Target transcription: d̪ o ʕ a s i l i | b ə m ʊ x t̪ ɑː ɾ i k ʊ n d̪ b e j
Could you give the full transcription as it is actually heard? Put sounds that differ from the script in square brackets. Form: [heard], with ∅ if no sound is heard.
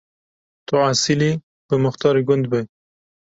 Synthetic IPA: [t̪] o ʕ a s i l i | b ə m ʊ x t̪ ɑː ɾ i [ɡ] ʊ n d̪ b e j

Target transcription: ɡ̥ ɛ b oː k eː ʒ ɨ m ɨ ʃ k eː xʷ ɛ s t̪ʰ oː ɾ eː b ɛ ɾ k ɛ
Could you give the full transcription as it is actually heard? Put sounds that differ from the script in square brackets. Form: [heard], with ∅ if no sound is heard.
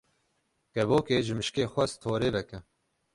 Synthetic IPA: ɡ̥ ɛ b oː k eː ʒ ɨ m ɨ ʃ k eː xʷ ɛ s t̪ʰ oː ɾ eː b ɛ [∅] k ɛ

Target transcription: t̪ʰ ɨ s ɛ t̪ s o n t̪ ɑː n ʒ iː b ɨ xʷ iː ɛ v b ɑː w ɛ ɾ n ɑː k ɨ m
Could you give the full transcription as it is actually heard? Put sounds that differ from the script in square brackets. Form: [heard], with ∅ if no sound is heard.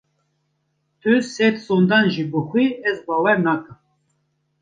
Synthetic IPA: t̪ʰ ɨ s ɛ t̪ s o n [d̪] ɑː n ʒ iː b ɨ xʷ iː ɛ [z] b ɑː w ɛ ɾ n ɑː k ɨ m

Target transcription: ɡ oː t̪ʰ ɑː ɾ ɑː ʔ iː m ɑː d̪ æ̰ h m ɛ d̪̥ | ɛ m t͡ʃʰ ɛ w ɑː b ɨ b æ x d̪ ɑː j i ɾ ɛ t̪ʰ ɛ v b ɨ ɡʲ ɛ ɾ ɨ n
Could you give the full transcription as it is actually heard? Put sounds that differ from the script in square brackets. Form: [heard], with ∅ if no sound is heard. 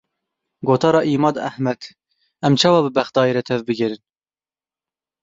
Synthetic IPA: ɡ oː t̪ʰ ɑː ɾ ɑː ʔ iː m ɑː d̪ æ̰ h m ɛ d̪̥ | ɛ m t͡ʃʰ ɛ w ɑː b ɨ b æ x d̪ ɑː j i ɾ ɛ t̪ʰ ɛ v b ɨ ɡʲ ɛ ɾ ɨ n

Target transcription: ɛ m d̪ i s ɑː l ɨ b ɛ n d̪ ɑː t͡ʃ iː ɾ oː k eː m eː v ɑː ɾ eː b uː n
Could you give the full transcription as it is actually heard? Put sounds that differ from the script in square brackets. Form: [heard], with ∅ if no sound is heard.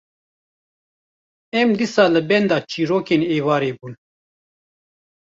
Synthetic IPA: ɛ m d̪ i s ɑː l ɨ b ɛ n d̪ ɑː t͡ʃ iː ɾ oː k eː [n] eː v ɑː ɾ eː b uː n

